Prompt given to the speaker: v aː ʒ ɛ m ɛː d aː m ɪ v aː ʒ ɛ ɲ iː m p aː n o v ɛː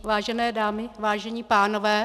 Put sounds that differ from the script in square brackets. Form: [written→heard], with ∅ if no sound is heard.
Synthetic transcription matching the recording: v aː ʒ ɛ [m→n] ɛː d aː m ɪ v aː ʒ ɛ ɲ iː [m→∅] p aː n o v ɛː